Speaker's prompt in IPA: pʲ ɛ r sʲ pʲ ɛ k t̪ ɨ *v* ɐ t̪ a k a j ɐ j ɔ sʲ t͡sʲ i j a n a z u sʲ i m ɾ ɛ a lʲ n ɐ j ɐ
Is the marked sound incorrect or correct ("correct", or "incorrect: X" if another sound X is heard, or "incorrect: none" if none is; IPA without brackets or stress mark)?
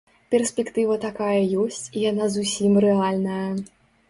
correct